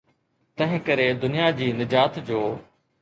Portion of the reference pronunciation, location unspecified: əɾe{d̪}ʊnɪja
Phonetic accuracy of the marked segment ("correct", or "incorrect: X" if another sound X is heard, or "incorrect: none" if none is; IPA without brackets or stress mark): correct